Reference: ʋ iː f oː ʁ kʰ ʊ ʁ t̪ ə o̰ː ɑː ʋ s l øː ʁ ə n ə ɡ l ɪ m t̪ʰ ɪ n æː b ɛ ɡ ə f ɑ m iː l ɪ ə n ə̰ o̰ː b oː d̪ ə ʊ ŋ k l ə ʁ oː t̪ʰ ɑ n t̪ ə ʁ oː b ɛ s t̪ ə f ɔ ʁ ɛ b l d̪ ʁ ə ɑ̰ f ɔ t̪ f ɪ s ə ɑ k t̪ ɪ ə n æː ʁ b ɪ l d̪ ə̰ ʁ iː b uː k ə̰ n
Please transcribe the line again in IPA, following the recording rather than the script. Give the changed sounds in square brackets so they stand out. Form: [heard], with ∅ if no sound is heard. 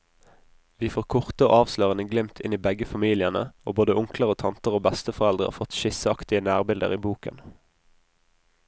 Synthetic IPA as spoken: ʋ iː f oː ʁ kʰ ʊ ʁ t̪ ə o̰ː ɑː ʋ s l øː ʁ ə n ə ɡ l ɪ m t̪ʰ ɪ n [iː] b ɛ ɡ ə f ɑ m iː l ɪ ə n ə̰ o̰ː b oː d̪ ə ʊ ŋ k l ə ʁ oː t̪ʰ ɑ n t̪ ə ʁ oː b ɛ s t̪ ə f ɔ ʁ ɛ [∅] l d̪ ʁ ə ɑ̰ f ɔ t̪ [ʃ] ɪ s ə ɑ k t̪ ɪ ə n æː ʁ b ɪ l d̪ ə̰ ʁ iː b uː k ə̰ n